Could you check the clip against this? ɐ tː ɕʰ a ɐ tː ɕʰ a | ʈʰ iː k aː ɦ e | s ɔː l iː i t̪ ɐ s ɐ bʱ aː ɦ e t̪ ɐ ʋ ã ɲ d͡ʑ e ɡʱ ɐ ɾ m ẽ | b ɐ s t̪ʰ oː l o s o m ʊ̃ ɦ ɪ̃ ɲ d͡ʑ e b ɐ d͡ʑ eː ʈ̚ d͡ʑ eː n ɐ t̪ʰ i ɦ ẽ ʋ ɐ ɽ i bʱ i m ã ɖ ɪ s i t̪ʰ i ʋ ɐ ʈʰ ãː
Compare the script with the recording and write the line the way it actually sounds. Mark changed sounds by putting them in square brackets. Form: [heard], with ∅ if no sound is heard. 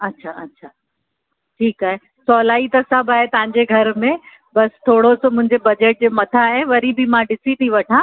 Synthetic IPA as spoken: ɐ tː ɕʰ a ɐ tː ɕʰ a | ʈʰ iː k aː ɦ e | s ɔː l [aː] i t̪ ɐ s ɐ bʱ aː ɦ e t̪ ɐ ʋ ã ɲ d͡ʑ e ɡʱ ɐ ɾ m ẽ | b ɐ s t̪ʰ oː [ɽ] o s o m ʊ̃ ɦ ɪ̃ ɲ d͡ʑ e b ɐ d͡ʑ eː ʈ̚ d͡ʑ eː [m] ɐ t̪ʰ [a] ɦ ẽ ʋ ɐ [ɾ] i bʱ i m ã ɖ ɪ s i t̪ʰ i ʋ ɐ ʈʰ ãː